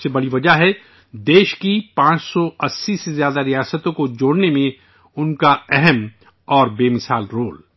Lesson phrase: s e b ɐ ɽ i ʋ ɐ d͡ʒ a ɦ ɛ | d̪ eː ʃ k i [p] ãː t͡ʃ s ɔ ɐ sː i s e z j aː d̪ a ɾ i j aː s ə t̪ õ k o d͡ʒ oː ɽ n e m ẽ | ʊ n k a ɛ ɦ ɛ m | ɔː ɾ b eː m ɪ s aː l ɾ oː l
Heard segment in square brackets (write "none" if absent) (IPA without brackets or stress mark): p